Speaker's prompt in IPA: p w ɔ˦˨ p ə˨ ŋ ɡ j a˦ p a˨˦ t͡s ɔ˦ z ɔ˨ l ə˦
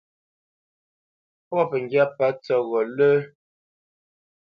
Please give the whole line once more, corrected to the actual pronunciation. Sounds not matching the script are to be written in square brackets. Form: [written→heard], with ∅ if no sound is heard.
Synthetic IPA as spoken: p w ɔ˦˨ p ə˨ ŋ ɡ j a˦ p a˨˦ t͡s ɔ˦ [z→ɣ] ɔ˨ l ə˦